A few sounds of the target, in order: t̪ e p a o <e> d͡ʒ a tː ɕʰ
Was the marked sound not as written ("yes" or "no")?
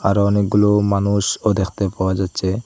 yes